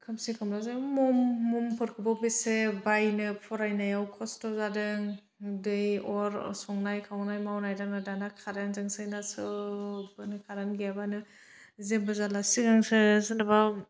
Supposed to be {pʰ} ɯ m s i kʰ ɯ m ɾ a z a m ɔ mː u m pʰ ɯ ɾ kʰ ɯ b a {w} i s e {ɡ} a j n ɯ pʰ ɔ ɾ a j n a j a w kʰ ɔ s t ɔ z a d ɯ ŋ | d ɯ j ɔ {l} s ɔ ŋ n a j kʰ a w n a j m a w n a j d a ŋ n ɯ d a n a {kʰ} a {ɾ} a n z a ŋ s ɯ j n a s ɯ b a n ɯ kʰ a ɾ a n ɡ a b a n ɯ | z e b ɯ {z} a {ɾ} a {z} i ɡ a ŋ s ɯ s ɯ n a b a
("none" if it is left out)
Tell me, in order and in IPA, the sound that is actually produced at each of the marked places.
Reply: kʰ, b, b, ɾ, kʰ, ɾ, z, l, s

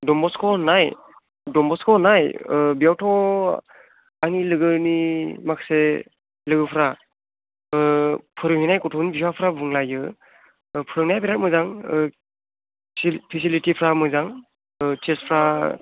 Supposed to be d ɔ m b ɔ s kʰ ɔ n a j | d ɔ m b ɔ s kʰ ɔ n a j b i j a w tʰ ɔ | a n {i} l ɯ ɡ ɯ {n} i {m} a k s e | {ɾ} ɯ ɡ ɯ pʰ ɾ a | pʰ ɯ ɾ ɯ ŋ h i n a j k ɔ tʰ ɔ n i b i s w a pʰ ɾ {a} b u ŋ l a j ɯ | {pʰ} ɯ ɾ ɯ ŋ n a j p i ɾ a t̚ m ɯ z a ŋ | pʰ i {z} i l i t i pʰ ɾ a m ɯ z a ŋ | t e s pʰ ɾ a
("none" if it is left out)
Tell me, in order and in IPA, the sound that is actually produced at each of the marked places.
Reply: i, n, m, l, a, pʰ, s

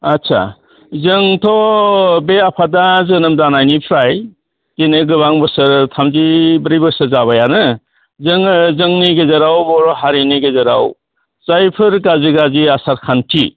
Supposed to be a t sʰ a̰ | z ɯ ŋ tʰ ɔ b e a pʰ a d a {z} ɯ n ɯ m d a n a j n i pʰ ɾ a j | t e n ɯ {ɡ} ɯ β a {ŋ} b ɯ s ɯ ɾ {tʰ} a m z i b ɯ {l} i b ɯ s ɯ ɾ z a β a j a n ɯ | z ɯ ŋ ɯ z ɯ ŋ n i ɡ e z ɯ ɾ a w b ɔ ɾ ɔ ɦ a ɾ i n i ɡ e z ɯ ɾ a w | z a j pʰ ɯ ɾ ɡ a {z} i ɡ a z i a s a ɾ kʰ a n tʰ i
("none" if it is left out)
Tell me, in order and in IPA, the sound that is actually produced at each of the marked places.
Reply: z, ɡ, ŋ, tʰ, ɾ, z

